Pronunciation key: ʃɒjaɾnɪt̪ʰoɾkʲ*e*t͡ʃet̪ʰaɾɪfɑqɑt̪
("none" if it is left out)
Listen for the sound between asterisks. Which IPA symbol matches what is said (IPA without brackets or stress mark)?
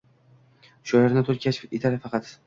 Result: a